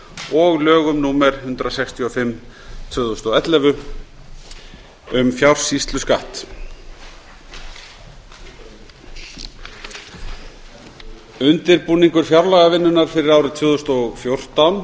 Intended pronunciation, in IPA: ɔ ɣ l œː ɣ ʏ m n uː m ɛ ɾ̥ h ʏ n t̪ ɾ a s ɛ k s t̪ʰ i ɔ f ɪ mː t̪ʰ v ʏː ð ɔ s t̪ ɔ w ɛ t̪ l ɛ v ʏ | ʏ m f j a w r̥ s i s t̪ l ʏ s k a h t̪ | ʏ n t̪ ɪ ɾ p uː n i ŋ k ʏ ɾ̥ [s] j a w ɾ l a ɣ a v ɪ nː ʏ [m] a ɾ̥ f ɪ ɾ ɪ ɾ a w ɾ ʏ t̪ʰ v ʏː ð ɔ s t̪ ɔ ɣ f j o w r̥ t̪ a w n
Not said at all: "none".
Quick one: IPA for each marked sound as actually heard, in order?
f, n

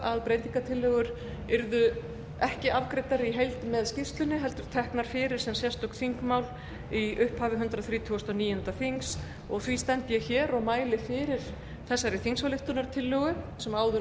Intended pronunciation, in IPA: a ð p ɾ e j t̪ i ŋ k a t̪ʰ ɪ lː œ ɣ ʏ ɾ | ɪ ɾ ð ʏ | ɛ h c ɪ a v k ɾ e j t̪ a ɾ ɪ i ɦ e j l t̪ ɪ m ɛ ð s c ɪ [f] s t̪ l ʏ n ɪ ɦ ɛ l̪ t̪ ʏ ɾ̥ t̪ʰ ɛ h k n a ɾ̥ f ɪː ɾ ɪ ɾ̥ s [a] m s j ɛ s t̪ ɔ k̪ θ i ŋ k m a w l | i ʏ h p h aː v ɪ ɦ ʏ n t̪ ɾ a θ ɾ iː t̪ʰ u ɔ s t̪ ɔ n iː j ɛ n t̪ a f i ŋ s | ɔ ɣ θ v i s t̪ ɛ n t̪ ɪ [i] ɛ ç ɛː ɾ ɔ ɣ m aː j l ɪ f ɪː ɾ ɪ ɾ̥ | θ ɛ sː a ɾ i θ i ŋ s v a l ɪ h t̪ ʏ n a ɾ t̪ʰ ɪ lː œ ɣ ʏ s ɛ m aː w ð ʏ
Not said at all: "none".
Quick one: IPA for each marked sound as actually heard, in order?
f, ɛ, j

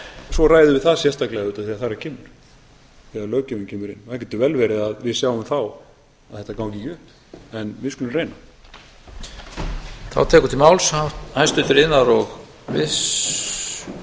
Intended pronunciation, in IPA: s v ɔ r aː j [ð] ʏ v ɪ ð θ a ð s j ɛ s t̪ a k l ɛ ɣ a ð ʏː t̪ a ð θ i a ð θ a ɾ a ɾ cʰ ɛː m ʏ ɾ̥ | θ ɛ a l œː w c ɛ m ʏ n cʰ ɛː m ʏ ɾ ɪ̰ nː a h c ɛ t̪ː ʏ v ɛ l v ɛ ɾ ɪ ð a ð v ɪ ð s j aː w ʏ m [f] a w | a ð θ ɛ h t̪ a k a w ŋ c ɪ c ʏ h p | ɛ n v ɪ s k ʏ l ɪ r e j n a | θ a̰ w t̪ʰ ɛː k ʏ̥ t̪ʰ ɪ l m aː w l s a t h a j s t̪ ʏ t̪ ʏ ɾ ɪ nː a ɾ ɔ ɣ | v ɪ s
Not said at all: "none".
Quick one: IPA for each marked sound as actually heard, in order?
ð, θ

